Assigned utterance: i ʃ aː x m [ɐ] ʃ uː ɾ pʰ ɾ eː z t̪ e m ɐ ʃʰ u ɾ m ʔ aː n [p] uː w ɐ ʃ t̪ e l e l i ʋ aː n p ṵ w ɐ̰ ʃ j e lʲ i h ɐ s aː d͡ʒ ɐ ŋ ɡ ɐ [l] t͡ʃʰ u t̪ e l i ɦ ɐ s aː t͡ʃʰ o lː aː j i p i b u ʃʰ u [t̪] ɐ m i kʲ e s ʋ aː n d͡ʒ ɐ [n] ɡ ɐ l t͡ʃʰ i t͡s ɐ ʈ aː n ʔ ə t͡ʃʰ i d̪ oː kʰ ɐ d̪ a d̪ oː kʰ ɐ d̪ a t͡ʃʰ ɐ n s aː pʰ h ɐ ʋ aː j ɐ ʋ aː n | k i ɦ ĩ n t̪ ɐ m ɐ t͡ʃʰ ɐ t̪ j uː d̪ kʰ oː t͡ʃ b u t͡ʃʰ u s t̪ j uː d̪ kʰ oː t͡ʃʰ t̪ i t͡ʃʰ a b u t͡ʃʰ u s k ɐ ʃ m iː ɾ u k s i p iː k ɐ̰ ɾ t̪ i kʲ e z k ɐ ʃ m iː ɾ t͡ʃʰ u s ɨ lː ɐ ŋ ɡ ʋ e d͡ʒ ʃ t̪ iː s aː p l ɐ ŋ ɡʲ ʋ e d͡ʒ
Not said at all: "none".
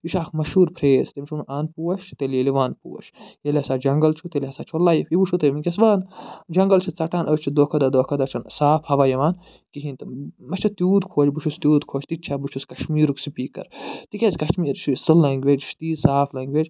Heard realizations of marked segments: ɐ, p, l, t̪, ŋ

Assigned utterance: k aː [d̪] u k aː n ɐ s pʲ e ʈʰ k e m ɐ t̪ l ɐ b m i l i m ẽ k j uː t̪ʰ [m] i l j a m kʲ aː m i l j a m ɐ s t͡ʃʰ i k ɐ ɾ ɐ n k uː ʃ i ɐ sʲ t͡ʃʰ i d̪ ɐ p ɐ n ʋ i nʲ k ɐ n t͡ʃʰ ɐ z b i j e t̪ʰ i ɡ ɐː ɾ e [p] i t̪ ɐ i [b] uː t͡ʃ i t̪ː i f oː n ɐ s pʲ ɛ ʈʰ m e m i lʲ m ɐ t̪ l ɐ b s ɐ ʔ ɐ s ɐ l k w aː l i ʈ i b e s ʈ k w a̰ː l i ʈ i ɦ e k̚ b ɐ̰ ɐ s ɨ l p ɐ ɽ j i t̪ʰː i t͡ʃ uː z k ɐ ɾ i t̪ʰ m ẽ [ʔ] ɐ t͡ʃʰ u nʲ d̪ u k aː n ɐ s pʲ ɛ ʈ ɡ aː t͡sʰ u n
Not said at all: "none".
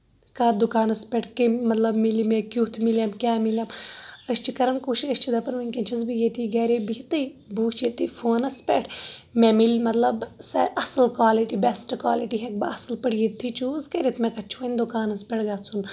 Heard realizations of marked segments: d̪, m, b, b, k

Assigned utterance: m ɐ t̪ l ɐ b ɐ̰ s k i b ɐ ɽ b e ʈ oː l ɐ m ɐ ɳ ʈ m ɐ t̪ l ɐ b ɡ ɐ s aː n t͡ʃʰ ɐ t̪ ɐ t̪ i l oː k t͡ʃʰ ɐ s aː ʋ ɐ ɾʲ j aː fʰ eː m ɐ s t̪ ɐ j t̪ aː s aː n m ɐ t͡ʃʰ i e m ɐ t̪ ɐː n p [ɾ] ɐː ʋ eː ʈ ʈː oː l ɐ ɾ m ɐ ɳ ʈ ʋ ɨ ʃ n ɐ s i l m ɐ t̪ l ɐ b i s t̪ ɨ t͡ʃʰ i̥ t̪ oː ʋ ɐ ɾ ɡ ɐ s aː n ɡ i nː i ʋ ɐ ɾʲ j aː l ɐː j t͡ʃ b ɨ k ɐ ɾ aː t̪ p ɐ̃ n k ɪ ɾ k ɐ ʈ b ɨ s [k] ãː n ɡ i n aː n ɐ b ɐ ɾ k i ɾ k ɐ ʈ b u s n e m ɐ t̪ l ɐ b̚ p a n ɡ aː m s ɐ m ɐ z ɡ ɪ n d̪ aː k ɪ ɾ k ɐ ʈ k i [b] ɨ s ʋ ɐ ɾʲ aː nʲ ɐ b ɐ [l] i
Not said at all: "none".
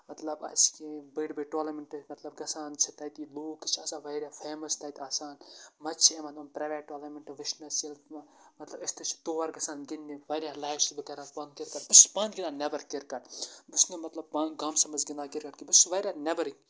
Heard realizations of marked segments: ɾ, p, b, ɾ

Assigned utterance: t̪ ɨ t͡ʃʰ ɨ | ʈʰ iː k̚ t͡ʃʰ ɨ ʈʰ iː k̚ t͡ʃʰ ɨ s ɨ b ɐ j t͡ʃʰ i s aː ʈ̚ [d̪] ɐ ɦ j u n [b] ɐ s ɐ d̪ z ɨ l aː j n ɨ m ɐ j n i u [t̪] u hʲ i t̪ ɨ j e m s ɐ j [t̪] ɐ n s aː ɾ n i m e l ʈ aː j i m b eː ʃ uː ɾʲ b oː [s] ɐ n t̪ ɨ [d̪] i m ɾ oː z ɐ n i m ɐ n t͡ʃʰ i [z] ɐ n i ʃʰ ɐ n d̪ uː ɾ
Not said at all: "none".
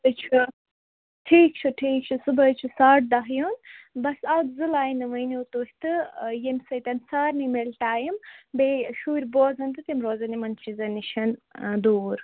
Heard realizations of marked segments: d̪, b, t̪, t̪, z, t̪, z

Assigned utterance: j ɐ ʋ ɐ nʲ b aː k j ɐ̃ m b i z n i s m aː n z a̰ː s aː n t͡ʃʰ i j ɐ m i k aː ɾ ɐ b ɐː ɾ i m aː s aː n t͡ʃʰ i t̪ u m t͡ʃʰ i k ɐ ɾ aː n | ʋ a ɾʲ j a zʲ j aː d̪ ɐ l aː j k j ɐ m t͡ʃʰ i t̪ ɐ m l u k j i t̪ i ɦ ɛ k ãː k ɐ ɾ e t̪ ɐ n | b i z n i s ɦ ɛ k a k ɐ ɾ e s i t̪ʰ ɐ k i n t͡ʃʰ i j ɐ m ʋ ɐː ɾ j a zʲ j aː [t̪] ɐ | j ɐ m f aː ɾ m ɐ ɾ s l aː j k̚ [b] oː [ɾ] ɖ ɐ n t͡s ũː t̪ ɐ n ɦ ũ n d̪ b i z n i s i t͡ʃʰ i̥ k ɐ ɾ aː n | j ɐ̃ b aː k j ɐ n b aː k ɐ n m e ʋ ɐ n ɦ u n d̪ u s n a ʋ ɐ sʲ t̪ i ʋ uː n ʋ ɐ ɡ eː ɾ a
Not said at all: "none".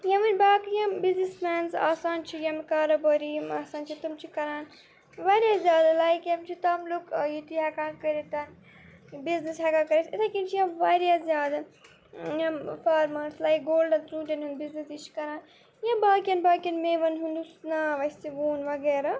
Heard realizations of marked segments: d̪, ɡ, l

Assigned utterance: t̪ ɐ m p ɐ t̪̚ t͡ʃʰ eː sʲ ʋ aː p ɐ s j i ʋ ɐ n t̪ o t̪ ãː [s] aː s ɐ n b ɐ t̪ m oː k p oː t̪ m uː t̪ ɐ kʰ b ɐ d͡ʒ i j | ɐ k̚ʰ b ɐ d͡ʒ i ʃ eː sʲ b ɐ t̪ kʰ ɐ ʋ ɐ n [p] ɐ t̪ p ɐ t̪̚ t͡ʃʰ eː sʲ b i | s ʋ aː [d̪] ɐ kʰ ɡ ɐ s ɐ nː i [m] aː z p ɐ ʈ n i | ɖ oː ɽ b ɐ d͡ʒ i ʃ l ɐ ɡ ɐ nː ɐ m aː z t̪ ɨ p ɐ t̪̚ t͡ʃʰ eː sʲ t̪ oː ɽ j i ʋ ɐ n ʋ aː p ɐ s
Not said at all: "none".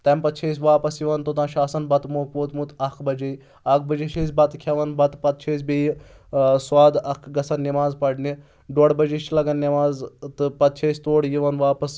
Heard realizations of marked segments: ʃ, b, d̪, m

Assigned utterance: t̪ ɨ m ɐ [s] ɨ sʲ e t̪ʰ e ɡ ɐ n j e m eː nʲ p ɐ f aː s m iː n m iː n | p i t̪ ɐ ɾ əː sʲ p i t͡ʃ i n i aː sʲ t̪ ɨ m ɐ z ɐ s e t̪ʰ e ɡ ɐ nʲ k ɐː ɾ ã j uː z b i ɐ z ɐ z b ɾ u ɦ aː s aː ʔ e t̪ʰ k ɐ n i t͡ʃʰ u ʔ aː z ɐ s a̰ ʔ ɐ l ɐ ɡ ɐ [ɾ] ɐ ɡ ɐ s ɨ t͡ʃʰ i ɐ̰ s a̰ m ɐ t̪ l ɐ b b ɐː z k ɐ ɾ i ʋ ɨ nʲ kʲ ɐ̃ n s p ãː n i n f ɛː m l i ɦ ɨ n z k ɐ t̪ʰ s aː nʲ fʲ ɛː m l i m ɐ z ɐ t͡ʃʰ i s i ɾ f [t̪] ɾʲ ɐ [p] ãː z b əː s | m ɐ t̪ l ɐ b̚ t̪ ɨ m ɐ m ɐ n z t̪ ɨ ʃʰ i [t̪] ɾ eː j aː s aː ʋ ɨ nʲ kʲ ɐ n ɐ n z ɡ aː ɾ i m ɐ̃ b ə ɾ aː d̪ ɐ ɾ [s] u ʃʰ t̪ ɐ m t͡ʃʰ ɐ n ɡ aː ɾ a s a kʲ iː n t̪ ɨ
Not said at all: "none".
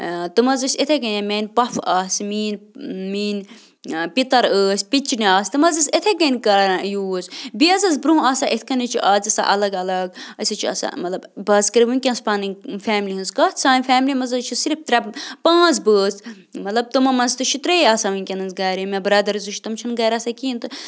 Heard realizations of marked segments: z, l, t̪, p, t̪, z

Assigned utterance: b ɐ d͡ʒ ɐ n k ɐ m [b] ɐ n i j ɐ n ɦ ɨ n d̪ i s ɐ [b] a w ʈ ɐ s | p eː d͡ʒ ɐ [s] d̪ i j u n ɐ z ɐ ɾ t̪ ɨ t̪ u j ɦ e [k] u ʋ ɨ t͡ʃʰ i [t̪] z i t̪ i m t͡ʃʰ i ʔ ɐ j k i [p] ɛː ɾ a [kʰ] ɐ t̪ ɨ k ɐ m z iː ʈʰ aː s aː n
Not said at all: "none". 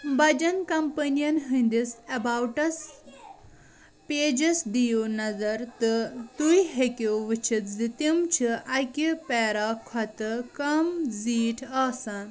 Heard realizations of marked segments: p, b, s, k, t̪, p, kʰ

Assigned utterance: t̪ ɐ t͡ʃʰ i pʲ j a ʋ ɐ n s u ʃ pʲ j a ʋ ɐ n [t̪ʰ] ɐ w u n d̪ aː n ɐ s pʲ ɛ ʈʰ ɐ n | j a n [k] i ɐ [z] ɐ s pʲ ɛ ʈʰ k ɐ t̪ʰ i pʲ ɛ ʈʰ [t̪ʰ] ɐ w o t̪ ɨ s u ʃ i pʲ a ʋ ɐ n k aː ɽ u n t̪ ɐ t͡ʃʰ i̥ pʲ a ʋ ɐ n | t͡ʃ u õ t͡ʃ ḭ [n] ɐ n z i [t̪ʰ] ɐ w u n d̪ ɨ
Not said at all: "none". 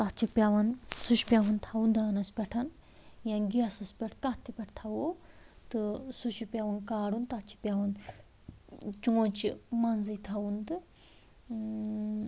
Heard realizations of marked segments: t̪ʰ, ɡ, s, t̪ʰ, m, t̪ʰ

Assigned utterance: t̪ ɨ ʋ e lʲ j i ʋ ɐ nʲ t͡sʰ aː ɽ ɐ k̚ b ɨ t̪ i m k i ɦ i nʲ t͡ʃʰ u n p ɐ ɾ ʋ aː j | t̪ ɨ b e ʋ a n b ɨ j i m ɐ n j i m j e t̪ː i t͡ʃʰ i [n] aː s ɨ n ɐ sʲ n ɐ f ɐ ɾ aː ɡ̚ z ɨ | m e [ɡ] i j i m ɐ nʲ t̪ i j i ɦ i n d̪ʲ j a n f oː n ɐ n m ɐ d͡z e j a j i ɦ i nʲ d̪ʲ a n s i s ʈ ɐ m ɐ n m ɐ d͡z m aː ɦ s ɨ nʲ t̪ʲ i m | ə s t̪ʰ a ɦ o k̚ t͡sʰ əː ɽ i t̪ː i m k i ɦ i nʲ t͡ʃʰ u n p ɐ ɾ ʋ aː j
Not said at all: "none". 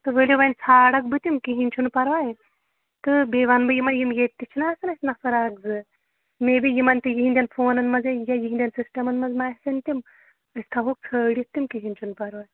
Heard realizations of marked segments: n, b

